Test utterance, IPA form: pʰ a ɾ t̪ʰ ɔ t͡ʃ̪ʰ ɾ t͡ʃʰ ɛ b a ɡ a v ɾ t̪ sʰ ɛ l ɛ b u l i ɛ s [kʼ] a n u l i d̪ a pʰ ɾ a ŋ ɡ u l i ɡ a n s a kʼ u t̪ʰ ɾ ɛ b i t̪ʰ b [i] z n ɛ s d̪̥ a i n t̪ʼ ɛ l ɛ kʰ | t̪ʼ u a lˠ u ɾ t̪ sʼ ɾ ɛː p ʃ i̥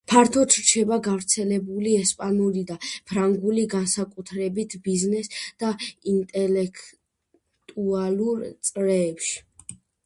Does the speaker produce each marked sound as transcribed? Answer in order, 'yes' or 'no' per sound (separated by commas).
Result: no, yes